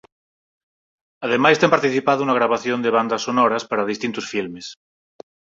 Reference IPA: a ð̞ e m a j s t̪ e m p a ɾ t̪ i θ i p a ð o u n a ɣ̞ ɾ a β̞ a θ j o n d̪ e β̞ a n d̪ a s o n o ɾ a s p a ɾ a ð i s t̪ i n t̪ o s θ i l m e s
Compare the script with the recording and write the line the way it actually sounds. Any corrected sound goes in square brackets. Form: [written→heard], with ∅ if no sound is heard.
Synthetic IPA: a ð̞ e m a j s t̪ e m p a ɾ t̪ i θ i p a ð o u n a ɣ̞ ɾ a β̞ a θ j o n d̪ e β̞ a n d̪ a s o n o ɾ a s p a ɾ a ð i s t̪ i n t̪ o s [θ→f] i l m e s

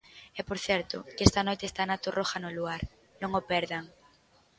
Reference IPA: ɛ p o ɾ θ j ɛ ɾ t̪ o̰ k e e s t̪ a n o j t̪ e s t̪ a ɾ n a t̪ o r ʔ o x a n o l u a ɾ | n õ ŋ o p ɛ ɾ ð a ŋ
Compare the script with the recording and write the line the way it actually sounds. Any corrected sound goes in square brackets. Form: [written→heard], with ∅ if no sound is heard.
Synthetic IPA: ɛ p o ɾ θ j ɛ ɾ t̪ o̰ k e e s t̪ a n o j t̪ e s t̪ a [ɾ→∅] n a t̪ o r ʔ o x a n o l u a ɾ | n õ ŋ o p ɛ ɾ ð a ŋ

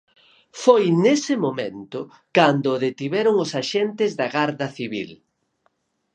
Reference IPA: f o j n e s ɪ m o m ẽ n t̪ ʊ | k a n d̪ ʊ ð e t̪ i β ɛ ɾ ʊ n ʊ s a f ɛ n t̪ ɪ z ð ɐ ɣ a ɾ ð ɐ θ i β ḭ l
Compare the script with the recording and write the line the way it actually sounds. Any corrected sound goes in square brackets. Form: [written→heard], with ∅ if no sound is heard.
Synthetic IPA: f o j n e s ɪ m o m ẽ n t̪ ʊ | k a n d̪ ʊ ð e t̪ i β ɛ ɾ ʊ [n→ŋ] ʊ s a [f→ʃ] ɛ n t̪ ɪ z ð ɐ ɣ a ɾ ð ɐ θ i β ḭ l

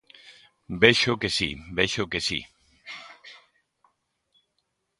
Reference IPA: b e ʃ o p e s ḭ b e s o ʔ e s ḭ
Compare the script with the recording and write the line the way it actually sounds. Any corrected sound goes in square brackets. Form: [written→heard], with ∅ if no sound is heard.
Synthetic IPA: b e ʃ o [p→k] e s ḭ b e [s→ʃ] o [ʔ→k] e s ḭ

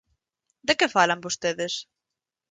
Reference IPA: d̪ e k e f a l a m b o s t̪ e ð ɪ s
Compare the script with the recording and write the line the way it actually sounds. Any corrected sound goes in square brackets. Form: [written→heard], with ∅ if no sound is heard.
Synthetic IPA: d̪ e k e f a l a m b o s t̪ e ð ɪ s

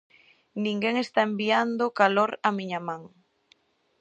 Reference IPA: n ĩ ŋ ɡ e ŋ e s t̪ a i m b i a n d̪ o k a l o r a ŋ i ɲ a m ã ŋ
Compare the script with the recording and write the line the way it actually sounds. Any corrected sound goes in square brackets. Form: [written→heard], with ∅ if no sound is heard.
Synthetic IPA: n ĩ ŋ ɡ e ŋ e s t̪ a [i→e] m b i a n d̪ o k a l o [r→ɾ] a [ŋ→m] i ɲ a m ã ŋ

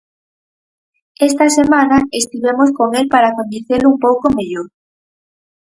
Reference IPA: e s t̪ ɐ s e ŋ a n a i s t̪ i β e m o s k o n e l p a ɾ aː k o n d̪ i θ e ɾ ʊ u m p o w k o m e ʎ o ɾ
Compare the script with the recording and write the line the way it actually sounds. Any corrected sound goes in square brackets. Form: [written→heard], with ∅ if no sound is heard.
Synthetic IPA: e s t̪ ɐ s e [ŋ→m] a n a [i→e] s t̪ i β e m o s k o [n→ŋ] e l p a ɾ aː k o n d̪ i θ e [ɾ→l] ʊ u m p o w k o m e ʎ o ɾ

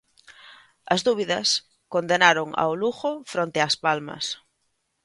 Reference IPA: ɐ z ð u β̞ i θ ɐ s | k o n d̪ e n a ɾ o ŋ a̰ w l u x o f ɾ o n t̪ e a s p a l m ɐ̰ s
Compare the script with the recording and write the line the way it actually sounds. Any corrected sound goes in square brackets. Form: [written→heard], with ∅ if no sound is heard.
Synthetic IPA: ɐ z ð u β̞ i [θ→ð] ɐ s | k o n d̪ e n a ɾ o ŋ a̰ w l u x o f ɾ o n t̪ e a s p a l m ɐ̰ s

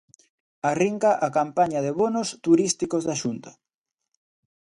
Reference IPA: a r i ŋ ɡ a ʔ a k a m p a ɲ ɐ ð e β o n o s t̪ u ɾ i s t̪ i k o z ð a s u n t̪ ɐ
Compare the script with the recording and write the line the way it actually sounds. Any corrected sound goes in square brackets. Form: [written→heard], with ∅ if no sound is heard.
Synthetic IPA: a r i ŋ [ɡ→k] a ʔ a k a m p a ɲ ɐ ð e β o n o s t̪ u ɾ i s t̪ i k o z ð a [s→ʃ] u n t̪ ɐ

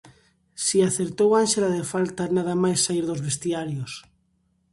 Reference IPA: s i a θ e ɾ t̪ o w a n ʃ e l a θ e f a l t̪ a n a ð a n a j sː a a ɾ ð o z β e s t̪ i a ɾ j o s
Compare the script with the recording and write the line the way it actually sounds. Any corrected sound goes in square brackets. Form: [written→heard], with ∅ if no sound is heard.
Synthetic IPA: s i a θ e ɾ t̪ o w a n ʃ e l a [θ→ð] e f a l t̪ a n a ð a [n→m] a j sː a [a→i] ɾ ð o z β e s t̪ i a ɾ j o s

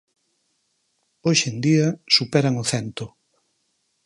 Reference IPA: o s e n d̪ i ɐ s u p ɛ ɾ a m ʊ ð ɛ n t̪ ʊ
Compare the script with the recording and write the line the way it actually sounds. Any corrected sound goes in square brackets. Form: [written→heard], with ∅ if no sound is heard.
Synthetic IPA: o [s→ʃ] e n d̪ i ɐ s u p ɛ ɾ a [m→ŋ] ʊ [ð→θ] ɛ n t̪ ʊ

